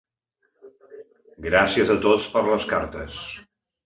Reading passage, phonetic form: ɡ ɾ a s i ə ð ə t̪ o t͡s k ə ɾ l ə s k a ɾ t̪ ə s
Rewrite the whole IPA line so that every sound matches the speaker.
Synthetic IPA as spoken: ɡ ɾ a s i ə z ə t̪ o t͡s p ə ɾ l ə s k a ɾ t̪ ə s